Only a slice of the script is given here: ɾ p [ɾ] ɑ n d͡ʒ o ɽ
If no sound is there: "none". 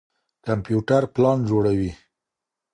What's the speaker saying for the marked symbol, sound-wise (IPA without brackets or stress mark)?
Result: l